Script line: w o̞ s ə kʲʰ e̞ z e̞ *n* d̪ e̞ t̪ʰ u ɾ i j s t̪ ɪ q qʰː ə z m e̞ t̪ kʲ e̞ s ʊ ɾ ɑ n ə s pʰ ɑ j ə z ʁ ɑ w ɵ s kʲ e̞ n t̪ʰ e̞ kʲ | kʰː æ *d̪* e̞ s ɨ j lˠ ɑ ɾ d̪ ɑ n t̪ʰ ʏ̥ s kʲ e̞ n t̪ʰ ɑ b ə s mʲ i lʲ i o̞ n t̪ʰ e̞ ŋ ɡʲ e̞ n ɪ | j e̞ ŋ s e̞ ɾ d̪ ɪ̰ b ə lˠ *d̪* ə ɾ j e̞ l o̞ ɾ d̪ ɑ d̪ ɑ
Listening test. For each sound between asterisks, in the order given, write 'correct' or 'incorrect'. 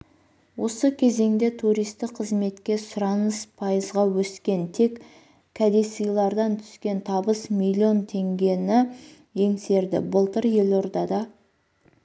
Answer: incorrect, correct, incorrect

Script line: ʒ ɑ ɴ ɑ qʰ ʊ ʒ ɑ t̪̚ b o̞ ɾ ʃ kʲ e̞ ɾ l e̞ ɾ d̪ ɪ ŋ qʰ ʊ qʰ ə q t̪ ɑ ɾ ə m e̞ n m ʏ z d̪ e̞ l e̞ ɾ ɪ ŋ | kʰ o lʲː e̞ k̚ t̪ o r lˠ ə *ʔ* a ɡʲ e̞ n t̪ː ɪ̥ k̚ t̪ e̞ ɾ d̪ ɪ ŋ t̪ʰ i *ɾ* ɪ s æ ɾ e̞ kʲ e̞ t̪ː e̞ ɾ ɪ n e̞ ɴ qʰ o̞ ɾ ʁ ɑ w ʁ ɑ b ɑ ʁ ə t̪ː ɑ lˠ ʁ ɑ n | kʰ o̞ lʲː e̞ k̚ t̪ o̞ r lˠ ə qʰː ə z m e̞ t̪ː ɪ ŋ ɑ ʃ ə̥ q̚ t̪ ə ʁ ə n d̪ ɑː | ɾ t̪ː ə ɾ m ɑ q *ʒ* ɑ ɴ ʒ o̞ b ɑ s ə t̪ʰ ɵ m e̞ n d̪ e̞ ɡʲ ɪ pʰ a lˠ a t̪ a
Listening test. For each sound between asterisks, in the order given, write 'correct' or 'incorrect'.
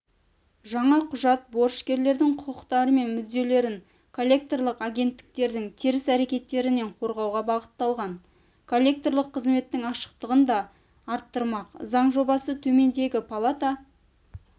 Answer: incorrect, correct, incorrect

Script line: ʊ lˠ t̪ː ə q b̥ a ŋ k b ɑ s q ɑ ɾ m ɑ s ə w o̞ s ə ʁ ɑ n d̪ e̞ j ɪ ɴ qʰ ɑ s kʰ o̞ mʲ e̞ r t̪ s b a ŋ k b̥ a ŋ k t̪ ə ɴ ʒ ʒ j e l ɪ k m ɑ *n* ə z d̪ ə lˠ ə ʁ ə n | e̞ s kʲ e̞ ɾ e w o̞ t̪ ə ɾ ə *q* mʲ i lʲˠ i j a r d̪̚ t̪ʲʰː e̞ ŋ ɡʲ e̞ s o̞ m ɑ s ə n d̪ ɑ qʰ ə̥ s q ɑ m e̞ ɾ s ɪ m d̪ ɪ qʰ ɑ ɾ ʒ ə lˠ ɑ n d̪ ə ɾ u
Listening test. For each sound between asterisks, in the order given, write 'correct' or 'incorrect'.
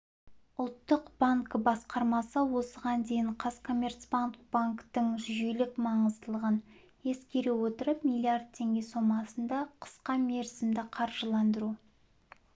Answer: incorrect, incorrect

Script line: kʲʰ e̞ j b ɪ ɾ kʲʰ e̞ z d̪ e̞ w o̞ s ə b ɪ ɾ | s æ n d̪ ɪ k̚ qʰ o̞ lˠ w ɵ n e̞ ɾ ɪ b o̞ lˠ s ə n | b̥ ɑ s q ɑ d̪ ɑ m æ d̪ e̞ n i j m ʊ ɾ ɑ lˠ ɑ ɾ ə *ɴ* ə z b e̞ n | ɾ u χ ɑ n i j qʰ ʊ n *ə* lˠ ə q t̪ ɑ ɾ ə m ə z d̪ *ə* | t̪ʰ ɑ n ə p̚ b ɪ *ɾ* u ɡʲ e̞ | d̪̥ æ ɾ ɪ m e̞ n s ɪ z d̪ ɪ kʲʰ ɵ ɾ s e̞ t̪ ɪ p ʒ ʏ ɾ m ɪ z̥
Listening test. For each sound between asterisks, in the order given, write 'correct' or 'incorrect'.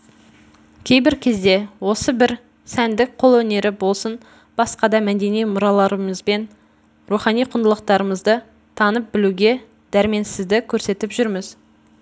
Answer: incorrect, correct, correct, incorrect

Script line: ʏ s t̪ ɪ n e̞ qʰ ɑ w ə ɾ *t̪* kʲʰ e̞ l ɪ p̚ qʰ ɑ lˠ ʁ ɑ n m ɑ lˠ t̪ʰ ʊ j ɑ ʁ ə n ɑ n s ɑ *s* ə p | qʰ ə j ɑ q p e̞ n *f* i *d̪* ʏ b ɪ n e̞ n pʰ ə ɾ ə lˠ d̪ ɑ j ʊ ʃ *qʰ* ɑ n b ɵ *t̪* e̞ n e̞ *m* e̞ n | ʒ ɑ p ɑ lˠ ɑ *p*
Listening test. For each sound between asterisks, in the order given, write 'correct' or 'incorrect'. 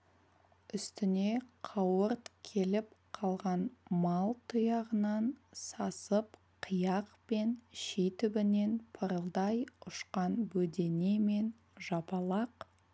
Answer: correct, correct, incorrect, incorrect, incorrect, incorrect, correct, incorrect

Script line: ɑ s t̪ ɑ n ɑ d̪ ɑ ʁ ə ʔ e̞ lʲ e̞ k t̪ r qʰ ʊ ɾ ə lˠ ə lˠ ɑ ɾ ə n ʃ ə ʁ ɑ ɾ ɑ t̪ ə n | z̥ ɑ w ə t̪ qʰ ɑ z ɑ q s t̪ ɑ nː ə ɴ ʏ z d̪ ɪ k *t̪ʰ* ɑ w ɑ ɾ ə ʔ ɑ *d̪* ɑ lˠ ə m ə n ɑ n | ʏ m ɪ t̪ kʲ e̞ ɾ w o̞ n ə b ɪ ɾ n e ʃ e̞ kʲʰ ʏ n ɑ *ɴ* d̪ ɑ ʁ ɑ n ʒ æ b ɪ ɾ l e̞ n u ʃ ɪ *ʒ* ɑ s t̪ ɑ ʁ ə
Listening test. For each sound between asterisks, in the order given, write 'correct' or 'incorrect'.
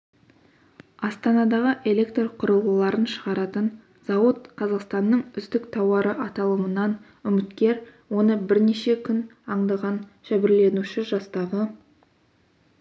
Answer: correct, incorrect, correct, correct

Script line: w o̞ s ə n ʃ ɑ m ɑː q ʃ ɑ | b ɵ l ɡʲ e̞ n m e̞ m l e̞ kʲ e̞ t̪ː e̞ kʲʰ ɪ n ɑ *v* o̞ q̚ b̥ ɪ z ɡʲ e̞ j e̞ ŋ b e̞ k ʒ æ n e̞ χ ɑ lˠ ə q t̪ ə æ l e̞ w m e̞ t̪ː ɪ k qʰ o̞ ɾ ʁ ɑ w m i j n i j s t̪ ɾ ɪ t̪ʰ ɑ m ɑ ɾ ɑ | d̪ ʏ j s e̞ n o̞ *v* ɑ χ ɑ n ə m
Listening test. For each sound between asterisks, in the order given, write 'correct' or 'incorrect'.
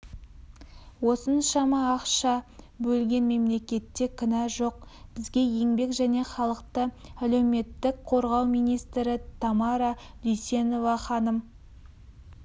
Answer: incorrect, correct

